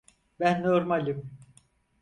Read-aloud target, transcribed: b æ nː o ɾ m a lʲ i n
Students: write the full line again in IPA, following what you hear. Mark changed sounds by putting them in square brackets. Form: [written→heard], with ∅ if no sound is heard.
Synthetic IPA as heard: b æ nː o ɾ m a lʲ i [n→m]

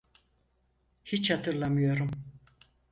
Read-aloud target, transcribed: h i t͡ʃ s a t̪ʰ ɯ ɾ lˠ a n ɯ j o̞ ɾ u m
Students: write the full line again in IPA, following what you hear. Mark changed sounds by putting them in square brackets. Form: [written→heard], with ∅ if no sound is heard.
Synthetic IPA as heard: h i t͡ʃ [s→h] a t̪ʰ ɯ ɾ lˠ a [n→m] ɯ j o̞ ɾ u m

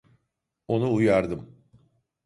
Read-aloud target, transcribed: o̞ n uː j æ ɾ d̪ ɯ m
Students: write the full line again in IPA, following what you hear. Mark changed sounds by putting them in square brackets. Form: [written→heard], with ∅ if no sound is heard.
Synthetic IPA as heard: o̞ n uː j [æ→a] ɾ d̪ ɯ m

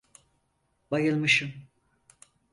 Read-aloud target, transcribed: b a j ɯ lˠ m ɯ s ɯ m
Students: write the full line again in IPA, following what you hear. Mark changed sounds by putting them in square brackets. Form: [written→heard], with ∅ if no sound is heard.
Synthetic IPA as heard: b a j ɯ lˠ m ɯ [s→ʃ] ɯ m

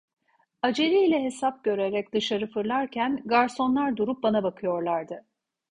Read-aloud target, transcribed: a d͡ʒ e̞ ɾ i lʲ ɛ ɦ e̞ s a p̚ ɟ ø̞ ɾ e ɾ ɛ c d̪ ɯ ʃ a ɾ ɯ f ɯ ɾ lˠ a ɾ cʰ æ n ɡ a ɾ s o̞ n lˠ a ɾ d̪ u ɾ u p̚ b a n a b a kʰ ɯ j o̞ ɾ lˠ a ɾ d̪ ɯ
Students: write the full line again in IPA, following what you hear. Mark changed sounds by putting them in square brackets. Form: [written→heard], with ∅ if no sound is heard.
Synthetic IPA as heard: a d͡ʒ e̞ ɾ i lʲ ɛ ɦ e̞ s a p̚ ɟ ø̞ ɾ e ɾ ɛ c d̪ ɯ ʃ a ɾ ɯ f ɯ ɾ lˠ a ɾ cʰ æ n ɡ a ɾ s o̞ n lˠ a ɾ d̪ u ɾ u p̚ b a n a b a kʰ ɯ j o̞ ɾ lˠ a ɾ d̪ ɯ

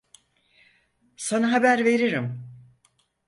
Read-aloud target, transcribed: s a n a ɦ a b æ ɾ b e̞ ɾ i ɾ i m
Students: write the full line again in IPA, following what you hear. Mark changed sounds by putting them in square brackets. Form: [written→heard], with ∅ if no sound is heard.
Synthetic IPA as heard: s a n a ɦ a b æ ɾ [b→v] e̞ ɾ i ɾ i m

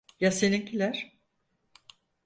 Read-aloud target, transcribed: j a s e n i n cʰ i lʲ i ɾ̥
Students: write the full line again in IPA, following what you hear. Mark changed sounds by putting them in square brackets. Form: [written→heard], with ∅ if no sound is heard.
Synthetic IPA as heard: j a s e n i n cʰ i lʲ [i→æ] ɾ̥

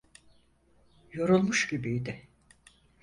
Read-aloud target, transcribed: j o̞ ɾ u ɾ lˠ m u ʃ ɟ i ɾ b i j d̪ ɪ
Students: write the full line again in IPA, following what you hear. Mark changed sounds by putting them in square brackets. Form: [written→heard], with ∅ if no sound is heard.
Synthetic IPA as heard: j o̞ ɾ u [ɾ→∅] lˠ m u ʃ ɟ i [ɾ→∅] b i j d̪ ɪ

